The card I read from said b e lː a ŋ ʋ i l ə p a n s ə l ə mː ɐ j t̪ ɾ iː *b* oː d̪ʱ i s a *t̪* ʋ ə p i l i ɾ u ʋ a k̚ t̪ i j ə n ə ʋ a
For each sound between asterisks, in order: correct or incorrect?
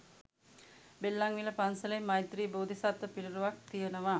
correct, correct

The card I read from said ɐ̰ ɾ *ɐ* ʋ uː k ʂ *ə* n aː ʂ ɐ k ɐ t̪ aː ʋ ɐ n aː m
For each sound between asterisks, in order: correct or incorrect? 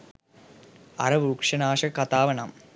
correct, incorrect: ɐ

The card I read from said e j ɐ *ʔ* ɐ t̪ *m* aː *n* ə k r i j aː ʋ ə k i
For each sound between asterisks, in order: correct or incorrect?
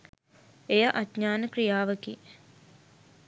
correct, incorrect: ɲ, correct

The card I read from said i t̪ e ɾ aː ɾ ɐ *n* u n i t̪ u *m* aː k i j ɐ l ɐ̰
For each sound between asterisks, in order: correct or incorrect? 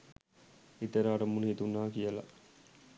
incorrect: m, incorrect: n

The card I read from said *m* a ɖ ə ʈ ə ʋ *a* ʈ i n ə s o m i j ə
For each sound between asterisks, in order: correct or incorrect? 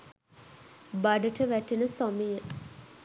incorrect: b, incorrect: æ

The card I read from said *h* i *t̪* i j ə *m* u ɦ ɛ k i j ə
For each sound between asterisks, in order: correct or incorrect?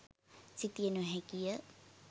incorrect: s, correct, incorrect: n

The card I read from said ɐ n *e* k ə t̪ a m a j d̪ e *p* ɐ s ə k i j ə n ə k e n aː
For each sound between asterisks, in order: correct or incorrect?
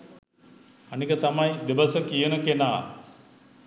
incorrect: i, incorrect: b

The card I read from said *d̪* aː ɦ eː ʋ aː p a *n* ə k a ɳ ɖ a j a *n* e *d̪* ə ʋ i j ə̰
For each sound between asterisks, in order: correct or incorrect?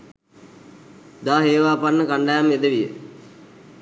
correct, incorrect: nː, incorrect: m, correct

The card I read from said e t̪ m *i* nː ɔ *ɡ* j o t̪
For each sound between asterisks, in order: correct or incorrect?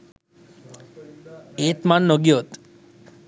incorrect: a, correct

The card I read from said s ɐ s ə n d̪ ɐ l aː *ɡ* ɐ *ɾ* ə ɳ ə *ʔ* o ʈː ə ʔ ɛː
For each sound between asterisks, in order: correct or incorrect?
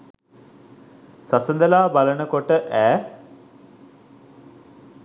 incorrect: b, incorrect: l, incorrect: k

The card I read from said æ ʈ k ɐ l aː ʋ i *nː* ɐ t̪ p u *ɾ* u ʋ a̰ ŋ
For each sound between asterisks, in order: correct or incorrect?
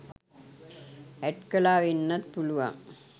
correct, incorrect: l

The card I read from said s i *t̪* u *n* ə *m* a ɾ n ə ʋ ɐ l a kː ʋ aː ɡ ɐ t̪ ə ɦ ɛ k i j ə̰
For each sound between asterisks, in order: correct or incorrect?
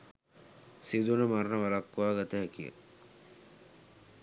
incorrect: d̪, correct, correct

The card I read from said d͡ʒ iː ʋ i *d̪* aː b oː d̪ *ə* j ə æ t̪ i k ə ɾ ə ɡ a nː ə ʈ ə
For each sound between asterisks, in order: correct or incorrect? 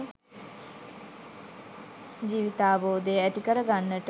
incorrect: t̪, correct

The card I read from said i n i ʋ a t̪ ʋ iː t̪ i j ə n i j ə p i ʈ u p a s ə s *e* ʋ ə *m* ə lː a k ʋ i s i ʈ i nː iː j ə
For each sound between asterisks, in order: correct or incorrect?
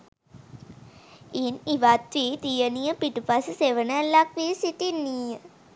correct, incorrect: n

